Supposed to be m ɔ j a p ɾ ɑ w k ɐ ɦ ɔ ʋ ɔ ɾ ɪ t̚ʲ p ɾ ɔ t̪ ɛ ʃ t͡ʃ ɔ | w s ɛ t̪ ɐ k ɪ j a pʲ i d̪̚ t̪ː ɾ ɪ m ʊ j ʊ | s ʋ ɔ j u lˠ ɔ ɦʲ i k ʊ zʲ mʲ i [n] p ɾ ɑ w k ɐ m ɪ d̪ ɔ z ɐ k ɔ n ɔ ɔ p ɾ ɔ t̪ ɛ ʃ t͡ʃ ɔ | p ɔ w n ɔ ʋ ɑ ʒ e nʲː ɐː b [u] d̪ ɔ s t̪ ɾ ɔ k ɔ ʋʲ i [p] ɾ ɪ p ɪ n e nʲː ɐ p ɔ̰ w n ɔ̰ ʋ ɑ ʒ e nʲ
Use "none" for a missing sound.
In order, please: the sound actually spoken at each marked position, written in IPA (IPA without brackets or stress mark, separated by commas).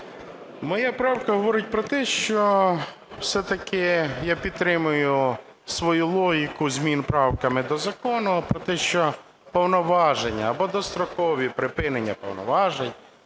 n, ɔ, p